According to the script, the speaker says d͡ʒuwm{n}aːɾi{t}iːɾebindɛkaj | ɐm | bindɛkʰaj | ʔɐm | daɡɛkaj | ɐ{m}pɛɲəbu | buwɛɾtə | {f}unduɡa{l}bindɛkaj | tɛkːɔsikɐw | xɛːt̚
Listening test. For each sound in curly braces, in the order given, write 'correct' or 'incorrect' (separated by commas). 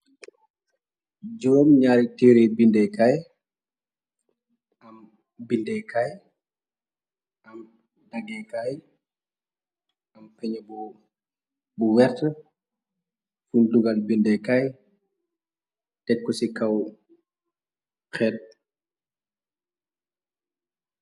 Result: incorrect, correct, correct, correct, correct